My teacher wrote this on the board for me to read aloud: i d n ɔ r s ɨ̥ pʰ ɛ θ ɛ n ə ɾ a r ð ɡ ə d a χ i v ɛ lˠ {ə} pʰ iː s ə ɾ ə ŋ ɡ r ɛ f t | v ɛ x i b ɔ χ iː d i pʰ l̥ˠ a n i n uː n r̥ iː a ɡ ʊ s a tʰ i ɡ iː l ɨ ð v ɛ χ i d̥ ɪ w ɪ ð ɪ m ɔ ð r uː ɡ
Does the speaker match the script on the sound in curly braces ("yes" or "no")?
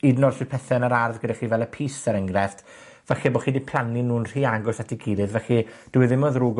yes